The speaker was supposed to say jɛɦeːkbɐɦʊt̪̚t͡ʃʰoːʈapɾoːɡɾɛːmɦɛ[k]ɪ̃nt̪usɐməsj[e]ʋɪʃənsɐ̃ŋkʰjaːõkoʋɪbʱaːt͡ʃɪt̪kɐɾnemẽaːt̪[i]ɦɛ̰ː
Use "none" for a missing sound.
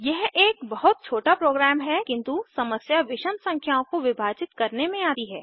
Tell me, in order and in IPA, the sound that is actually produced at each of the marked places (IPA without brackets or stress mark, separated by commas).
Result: k, a, i